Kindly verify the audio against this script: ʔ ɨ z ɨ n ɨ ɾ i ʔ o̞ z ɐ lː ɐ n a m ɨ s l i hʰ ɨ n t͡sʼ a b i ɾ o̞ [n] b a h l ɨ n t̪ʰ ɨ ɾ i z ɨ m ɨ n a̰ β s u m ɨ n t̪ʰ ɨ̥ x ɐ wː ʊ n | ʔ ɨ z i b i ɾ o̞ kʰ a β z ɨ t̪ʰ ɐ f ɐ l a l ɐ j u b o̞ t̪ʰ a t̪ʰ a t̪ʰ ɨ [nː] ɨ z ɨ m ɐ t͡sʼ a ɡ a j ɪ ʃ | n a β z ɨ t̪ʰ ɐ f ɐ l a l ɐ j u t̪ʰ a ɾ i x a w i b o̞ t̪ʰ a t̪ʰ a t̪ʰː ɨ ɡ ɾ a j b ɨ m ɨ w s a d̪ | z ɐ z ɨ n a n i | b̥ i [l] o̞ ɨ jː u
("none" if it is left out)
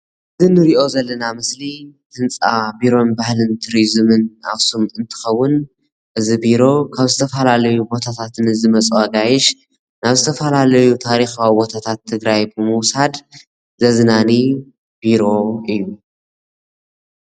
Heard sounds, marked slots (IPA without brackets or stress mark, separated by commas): n, n, ɾ